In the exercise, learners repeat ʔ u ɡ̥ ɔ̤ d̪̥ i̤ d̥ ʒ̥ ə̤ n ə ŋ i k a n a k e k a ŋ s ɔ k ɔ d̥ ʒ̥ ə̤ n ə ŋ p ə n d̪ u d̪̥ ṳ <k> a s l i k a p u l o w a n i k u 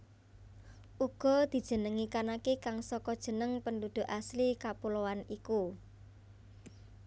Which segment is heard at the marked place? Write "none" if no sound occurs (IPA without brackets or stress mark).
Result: ʔ